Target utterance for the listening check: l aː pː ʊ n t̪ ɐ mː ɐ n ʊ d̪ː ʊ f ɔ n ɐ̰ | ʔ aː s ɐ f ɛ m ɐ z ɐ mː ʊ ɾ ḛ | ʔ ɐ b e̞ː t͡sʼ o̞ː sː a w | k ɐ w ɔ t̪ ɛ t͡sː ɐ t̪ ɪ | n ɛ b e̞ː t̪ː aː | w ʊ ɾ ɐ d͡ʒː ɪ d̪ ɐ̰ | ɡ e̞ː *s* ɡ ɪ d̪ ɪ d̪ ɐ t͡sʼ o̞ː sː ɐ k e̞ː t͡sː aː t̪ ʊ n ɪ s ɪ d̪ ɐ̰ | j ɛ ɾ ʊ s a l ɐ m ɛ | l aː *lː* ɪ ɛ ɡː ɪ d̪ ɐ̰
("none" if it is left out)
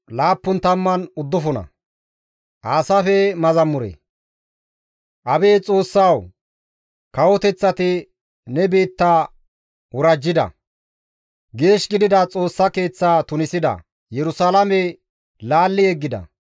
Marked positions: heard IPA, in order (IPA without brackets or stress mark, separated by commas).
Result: ʃ, lː